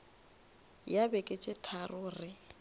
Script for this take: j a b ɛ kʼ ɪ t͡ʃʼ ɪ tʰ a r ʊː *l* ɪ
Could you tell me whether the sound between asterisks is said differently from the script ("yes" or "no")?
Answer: yes